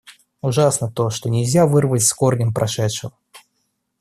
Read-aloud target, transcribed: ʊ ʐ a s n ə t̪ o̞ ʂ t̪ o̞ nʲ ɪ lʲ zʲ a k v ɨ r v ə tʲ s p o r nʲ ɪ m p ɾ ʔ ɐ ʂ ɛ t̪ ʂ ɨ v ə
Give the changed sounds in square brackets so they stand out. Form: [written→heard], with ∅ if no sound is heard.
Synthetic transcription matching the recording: ʊ ʐ a s n ə t̪ o̞ ʂ t̪ o̞ nʲ ɪ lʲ zʲ a [k→∅] v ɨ r v ə tʲ s [p→k] o r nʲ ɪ m p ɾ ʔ ɐ ʂ ɛ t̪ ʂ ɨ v ə